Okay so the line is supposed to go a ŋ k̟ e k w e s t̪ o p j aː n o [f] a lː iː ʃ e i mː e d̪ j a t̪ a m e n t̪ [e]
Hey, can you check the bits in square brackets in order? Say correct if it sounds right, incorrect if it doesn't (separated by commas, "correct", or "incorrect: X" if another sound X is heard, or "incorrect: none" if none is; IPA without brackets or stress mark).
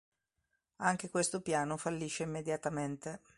correct, correct